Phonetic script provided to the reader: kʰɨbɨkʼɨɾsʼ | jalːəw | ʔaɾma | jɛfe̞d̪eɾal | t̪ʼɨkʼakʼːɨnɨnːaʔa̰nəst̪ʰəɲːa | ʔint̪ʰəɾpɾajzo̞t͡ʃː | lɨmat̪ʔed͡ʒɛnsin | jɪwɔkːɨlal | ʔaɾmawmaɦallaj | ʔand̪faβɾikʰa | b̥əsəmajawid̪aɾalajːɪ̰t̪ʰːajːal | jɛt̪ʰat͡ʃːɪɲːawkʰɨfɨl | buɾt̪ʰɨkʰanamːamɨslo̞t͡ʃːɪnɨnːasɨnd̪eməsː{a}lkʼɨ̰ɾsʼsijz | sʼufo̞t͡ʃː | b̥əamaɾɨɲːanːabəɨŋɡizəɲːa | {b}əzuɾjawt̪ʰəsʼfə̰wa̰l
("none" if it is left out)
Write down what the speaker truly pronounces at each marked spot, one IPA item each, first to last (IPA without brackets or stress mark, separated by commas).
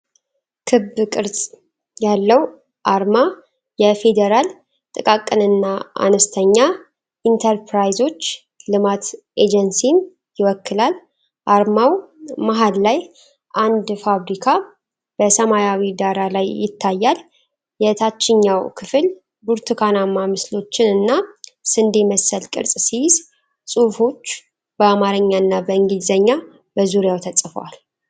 ə, b